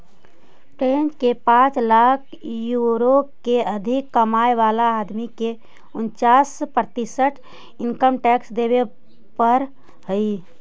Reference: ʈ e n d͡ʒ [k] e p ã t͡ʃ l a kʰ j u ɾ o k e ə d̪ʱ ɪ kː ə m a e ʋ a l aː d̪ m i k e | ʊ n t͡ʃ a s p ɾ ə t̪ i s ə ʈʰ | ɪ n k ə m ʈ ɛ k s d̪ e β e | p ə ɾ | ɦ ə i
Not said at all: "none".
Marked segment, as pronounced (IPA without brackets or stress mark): k